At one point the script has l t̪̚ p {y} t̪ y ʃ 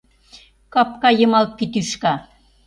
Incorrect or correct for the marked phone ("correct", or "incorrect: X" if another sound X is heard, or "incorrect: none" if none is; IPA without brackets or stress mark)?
incorrect: i